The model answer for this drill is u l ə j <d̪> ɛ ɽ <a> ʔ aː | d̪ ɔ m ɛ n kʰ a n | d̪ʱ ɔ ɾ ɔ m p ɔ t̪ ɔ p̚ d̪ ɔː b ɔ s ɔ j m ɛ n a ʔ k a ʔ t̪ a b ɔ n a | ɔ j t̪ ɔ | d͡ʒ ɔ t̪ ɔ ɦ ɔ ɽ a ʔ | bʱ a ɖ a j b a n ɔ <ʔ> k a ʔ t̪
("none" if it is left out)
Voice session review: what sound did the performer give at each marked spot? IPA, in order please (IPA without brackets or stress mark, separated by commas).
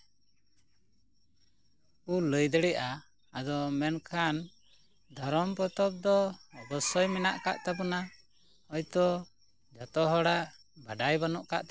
d̪, ɛ, ʔ